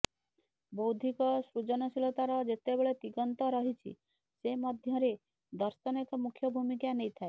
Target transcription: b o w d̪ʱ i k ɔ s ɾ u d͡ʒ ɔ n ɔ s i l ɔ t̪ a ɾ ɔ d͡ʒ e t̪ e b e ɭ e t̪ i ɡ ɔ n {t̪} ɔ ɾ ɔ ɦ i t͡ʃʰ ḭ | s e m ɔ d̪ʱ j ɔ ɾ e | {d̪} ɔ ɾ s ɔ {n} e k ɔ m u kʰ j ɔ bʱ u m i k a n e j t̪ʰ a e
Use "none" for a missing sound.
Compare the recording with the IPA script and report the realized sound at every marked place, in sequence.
t̪, d̪, n

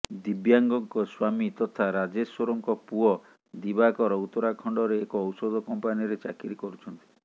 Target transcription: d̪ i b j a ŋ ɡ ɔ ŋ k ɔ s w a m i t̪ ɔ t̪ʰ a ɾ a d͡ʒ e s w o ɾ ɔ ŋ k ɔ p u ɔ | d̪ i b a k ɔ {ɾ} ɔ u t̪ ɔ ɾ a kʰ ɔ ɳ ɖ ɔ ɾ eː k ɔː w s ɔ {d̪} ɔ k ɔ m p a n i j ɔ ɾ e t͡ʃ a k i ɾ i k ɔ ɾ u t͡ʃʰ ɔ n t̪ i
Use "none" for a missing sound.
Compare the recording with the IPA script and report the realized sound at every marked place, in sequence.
ɾ, d̪

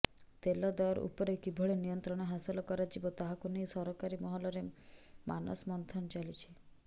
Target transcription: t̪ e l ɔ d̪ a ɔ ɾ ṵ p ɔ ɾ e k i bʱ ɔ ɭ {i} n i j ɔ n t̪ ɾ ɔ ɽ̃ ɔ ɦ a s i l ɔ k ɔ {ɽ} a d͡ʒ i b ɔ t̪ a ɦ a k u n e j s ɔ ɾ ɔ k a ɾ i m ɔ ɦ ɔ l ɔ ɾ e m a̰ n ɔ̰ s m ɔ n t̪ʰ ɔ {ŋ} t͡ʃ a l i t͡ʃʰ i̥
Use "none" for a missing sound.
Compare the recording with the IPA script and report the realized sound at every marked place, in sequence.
e, ɾ, n

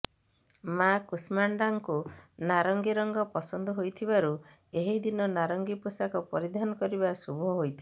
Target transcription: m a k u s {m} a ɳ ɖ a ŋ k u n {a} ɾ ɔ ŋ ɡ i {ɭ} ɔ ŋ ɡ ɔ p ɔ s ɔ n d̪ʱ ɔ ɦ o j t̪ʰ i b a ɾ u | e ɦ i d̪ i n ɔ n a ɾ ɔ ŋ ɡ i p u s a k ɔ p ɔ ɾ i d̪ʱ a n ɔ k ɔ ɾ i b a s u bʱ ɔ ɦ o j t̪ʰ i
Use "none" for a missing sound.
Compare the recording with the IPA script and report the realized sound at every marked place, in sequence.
m, a, ɾ

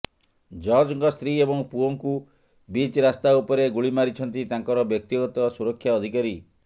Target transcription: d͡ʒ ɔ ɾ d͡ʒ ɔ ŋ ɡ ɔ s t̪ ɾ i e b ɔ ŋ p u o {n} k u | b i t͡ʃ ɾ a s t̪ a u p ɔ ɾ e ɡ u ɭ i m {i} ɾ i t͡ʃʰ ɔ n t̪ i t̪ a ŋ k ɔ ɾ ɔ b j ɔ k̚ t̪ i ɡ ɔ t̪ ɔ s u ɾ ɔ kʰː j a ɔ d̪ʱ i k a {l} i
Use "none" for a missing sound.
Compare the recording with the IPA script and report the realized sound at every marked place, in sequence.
ŋ, a, ɾ

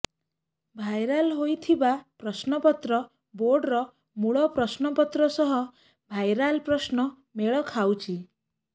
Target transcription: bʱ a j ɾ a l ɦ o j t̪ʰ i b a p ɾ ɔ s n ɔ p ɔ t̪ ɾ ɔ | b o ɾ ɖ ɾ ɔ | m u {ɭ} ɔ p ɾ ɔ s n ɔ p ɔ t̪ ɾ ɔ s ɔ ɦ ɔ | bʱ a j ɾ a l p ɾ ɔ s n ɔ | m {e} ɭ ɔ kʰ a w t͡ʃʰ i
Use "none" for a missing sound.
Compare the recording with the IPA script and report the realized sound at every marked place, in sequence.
ɭ, e

